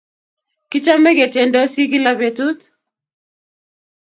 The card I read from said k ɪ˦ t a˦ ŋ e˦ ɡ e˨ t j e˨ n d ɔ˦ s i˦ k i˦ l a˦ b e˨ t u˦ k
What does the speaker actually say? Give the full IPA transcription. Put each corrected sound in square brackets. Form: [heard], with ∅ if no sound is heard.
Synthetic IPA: k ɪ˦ [t͡ʃ] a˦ [m] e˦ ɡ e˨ t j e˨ n d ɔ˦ s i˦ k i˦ l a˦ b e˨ t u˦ [t]

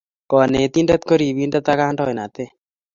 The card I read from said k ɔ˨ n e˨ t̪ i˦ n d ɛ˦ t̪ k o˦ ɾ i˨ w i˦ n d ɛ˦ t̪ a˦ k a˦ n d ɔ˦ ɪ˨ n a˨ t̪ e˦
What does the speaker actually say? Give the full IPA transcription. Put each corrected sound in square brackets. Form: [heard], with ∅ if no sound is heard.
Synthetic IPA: k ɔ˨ n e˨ t̪ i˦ n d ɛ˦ t̪ k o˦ ɾ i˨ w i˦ n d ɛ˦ t̪ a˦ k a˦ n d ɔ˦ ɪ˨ n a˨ t̪ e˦

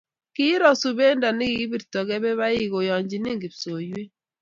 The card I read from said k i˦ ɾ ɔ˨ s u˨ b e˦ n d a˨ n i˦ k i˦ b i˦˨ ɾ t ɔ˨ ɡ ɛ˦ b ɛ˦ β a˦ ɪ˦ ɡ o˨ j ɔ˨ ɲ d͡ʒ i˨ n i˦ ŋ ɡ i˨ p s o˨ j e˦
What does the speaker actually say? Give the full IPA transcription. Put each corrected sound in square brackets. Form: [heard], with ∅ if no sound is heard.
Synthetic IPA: k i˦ ɾ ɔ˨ s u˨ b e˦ n d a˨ n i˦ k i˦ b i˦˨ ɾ t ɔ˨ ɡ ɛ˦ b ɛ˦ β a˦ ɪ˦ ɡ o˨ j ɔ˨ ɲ d͡ʒ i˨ n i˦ ŋ ɡ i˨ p s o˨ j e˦

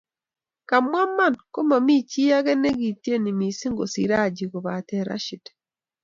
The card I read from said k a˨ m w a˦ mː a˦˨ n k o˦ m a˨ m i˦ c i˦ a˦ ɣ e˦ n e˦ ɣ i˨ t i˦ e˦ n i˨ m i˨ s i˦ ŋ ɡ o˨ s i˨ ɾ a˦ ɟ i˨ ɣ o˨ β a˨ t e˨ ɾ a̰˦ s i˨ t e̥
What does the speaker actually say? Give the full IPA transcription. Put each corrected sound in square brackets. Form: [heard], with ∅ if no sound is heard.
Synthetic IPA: k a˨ m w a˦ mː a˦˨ n k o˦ m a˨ m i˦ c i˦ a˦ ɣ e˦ n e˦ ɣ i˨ t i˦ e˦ n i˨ m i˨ s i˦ ŋ ɡ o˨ s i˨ ɾ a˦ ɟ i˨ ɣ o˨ β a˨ t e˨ ɾ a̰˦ [ʃ] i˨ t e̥

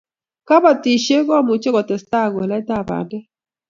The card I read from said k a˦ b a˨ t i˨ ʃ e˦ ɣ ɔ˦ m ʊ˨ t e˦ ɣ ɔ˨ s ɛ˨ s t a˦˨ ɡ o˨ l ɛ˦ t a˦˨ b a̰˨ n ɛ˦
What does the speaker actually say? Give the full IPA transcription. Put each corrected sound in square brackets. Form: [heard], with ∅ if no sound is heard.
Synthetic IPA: k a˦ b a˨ t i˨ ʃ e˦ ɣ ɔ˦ m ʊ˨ [t͡ʃ] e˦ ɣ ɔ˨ [t] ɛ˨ s t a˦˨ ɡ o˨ l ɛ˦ t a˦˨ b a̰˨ [d] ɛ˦

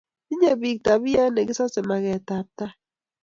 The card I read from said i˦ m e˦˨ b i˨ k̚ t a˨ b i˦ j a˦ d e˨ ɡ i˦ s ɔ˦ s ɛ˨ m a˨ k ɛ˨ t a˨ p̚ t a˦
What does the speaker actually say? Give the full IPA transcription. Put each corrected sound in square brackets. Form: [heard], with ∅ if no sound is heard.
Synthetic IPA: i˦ [ɲ] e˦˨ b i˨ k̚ t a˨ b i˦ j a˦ [n] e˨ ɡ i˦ s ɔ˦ s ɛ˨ m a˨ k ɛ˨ t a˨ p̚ t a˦

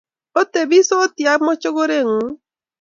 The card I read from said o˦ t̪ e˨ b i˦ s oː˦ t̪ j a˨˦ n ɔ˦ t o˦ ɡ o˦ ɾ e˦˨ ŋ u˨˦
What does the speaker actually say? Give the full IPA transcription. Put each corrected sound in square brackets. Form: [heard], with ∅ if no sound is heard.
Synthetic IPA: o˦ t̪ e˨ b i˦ s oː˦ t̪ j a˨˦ [m] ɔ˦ [t͡ʃ] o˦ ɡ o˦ ɾ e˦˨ ŋ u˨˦

